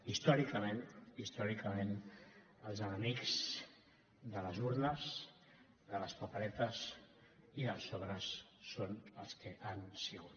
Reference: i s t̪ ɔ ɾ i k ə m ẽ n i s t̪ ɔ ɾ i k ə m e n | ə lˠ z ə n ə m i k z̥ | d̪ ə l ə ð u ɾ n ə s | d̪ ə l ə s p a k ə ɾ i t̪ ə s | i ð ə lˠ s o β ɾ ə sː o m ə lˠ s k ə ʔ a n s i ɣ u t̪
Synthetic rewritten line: i s t̪ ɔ ɾ i k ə m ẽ n i s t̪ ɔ ɾ i k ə m e n | ə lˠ z ə n ə m i k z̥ | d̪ ə l ə z u ɾ n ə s | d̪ ə l ə s p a p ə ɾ ɛ t̪ ə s | i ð ə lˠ s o β ɾ ə sː o n ə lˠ s k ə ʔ a n s i ɣ u t̪